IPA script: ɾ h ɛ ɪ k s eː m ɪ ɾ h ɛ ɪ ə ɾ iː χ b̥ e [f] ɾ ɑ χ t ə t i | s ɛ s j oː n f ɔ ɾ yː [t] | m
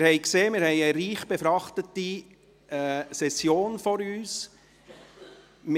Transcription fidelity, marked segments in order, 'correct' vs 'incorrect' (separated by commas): correct, incorrect